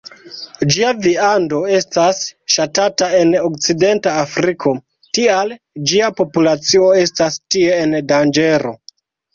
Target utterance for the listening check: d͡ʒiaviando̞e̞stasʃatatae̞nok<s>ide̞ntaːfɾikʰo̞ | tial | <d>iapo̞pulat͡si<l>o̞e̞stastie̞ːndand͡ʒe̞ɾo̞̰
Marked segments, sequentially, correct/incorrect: incorrect, incorrect, incorrect

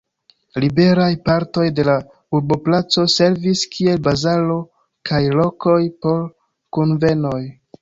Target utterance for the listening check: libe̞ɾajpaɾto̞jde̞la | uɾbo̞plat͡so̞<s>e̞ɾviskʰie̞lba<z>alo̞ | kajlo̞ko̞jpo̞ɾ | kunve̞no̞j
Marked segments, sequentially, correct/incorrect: correct, correct

